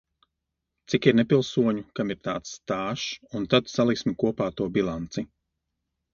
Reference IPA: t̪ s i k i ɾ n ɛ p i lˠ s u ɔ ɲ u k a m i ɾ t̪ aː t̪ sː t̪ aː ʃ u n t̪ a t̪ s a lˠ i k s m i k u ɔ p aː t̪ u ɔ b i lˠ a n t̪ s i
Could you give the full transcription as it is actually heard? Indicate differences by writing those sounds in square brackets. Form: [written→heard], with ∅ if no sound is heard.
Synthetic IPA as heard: t̪ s i k i ɾ n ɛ p i lˠ s u ɔ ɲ u k a m i ɾ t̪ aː t̪ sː t̪ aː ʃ u n t̪ a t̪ s a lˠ i k s m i k u ɔ p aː t̪ u ɔ b i lˠ a n t̪ s i